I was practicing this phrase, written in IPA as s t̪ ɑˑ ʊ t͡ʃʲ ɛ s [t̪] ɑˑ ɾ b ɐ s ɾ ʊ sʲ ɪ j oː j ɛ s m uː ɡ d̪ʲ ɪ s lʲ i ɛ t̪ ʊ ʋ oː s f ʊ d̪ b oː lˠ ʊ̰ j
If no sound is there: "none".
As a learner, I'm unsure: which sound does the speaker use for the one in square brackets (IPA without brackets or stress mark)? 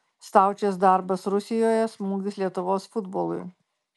d̪